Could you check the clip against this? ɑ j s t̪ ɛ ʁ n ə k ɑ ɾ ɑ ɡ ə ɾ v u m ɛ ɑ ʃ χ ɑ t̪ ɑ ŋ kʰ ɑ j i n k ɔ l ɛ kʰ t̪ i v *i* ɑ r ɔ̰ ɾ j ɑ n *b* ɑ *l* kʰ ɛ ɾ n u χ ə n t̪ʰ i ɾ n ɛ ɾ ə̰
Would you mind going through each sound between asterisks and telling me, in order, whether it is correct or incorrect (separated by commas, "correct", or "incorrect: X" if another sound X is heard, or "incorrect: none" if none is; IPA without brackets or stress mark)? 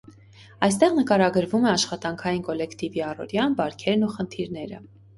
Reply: correct, correct, incorrect: ɾ